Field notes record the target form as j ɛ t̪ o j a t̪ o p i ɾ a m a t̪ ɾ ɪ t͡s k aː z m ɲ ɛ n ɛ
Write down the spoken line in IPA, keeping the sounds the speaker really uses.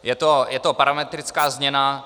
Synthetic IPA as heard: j ɛ t̪ o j ɛ t̪ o p a ɾ a m ɛ t̪ ɾ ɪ t͡s k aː z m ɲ ɛ n a